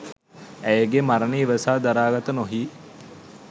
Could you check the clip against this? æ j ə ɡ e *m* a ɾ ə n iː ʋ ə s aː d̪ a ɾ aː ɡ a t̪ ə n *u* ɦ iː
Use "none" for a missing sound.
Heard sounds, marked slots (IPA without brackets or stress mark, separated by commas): m, o